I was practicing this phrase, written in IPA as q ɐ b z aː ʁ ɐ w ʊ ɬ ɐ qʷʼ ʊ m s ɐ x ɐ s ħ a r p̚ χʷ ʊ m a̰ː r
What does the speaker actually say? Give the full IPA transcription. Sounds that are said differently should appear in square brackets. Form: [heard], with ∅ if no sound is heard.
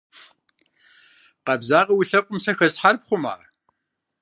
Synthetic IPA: q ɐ b z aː ʁ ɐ w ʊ ɬ ɐ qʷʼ ʊ m s ɐ x ɐ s ħ a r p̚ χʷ ʊ m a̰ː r